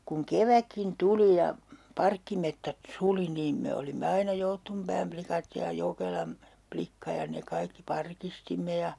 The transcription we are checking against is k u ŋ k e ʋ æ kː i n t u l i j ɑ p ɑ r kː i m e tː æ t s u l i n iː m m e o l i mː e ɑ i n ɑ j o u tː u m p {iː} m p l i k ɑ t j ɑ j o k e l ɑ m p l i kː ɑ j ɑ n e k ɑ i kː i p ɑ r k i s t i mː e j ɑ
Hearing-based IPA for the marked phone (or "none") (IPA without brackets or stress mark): æː